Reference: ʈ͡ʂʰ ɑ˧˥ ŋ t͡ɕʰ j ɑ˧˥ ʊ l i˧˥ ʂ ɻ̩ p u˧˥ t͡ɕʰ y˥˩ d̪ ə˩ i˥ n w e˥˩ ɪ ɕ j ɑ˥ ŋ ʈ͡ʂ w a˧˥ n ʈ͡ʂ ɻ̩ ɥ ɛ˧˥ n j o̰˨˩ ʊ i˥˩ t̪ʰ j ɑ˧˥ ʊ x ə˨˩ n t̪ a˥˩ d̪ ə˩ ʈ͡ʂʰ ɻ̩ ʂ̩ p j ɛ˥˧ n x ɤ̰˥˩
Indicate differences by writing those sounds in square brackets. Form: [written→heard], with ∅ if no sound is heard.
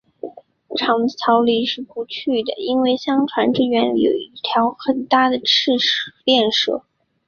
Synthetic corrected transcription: ʈ͡ʂʰ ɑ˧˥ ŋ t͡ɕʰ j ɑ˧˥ ʊ l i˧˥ ʂ ɻ̩ p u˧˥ t͡ɕʰ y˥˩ d̪ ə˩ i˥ n w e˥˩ ɪ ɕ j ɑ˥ ŋ [ʈ͡ʂ→ʈ͡ʂʰ] w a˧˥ n ʈ͡ʂ ɻ̩ ɥ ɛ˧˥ n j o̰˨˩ ʊ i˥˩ t̪ʰ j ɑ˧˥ ʊ x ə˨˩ n t̪ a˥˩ d̪ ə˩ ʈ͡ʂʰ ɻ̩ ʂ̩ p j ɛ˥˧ n [x→ʂ] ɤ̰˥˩